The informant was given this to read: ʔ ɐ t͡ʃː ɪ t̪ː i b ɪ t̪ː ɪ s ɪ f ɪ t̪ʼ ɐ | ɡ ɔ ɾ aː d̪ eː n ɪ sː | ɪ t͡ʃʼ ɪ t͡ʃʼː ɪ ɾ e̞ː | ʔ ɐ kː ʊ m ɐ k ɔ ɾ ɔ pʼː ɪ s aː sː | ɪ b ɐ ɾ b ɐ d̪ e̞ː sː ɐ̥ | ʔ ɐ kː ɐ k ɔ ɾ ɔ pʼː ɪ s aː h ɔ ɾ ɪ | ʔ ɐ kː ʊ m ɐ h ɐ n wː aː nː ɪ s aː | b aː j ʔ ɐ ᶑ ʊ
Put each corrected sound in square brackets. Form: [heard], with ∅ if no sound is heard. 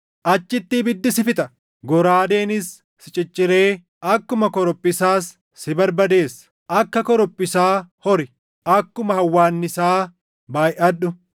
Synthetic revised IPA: ʔ ɐ t͡ʃː ɪ t̪ː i b ɪ [d̪ː] ɪ s ɪ f ɪ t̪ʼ ɐ | ɡ ɔ ɾ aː d̪ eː n ɪ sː | ɪ t͡ʃʼ ɪ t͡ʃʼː ɪ ɾ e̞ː | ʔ ɐ kː ʊ m ɐ k ɔ ɾ ɔ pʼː ɪ s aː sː | ɪ b ɐ ɾ b ɐ d̪ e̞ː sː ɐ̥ | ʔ ɐ kː ɐ k ɔ ɾ ɔ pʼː ɪ s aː h ɔ ɾ ɪ | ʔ ɐ kː ʊ m ɐ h ɐ [∅] wː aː nː ɪ s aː | b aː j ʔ ɐ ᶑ ʊ